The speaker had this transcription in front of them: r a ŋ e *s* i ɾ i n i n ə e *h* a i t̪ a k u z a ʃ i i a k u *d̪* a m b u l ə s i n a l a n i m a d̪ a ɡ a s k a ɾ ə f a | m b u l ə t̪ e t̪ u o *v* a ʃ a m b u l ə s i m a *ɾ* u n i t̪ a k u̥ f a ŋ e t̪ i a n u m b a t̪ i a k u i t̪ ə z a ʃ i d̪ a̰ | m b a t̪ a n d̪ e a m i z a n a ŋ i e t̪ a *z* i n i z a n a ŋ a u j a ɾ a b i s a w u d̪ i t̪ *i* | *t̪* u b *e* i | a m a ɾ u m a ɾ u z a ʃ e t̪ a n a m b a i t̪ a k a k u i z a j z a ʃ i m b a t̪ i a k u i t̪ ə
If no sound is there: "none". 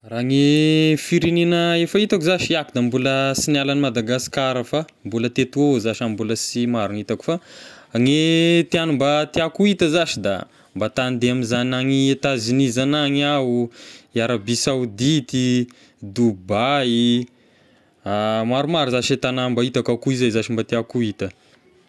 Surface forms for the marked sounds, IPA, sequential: f, f, d̪, z, ɾ, z, i, d̪, a

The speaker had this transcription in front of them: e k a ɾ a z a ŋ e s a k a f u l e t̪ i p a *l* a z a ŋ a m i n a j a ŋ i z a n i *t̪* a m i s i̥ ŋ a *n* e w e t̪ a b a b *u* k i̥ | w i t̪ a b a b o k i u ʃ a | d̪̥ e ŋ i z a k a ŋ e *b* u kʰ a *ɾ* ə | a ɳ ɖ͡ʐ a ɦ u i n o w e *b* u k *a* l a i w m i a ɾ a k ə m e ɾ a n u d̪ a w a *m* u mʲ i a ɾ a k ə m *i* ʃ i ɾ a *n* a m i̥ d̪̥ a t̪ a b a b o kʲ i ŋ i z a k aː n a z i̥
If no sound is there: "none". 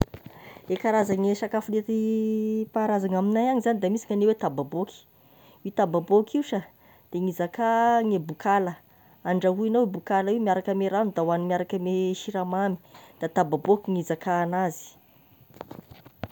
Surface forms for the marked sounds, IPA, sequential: ɾ, d̪, n, o, b, l, b, a, n, e, m

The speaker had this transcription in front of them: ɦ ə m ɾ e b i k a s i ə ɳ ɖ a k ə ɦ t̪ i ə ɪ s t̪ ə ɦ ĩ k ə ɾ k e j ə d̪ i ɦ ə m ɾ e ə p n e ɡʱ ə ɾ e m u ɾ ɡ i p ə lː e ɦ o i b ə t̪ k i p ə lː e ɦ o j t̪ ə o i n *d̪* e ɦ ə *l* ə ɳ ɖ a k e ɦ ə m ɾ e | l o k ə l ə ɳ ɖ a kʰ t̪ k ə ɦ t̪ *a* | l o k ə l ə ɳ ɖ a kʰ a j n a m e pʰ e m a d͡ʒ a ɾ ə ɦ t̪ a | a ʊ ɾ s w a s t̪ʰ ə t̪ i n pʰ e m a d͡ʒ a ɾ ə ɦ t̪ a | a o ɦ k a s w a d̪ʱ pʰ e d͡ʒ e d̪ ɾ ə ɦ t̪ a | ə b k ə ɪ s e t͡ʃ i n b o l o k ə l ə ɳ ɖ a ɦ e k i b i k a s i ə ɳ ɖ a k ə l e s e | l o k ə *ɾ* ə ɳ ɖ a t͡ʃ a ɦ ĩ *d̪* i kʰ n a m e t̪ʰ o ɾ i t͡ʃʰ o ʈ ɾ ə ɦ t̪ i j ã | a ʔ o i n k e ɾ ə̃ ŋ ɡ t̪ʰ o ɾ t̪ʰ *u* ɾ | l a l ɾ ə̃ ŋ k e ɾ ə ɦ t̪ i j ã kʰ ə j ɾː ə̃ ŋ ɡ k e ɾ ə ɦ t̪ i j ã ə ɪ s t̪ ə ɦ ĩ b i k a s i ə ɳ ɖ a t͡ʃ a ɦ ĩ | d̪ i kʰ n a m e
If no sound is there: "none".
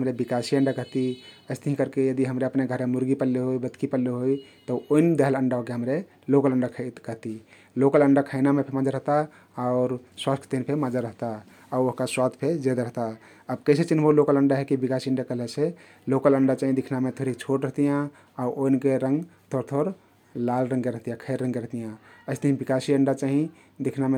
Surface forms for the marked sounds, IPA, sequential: d̪, l, i, l, d̪, o

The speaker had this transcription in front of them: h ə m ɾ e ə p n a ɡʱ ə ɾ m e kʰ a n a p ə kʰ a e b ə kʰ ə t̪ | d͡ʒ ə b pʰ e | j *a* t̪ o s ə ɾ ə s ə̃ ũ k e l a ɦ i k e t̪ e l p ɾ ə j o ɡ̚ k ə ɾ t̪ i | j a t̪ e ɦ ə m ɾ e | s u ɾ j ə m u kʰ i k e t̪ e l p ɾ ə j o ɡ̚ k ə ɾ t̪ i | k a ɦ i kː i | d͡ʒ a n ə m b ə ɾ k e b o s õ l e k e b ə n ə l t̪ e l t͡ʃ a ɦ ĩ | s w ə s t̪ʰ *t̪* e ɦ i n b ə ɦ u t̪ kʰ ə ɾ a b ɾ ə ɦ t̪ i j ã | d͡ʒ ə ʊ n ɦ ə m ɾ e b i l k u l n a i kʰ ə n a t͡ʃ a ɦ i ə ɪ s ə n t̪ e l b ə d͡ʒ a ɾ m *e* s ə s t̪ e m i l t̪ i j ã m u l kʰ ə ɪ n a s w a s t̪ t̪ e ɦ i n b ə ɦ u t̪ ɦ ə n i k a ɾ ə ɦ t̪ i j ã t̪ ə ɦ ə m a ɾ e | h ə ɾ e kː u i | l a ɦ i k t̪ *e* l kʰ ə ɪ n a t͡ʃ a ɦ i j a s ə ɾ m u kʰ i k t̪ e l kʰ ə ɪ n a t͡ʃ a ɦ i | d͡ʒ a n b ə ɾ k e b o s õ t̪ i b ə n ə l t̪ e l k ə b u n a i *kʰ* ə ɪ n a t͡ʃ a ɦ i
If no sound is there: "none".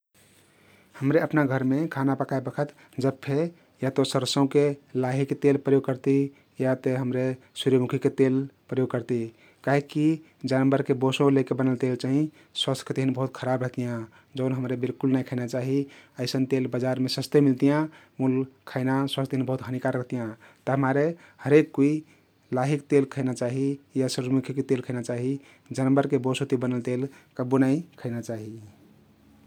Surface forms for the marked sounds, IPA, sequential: a, t̪, e, e, kʰ

